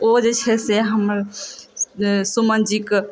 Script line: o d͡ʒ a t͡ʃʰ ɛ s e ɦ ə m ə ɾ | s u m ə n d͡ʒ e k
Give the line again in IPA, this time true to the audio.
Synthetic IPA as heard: o d͡ʒ e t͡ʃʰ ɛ s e ɦ ə m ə ɾ | s u m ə n d͡ʒ i k